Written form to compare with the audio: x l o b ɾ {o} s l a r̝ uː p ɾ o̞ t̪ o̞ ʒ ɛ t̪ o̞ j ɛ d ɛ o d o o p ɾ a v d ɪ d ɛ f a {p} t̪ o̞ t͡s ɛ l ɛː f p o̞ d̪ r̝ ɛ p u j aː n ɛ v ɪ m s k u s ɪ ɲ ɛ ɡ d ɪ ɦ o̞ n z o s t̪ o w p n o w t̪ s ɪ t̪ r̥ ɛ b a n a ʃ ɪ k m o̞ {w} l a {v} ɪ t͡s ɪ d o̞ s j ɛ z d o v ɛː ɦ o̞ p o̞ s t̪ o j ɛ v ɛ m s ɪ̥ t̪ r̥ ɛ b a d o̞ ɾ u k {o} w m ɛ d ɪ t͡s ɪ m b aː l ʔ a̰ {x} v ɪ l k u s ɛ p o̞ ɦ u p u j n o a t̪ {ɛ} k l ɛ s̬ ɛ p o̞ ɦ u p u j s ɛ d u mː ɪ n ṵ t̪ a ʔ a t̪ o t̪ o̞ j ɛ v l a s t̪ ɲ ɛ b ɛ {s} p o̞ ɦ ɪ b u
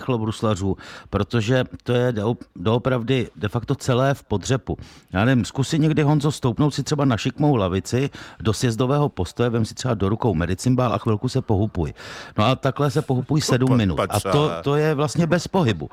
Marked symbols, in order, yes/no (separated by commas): no, no, yes, yes, yes, yes, no, yes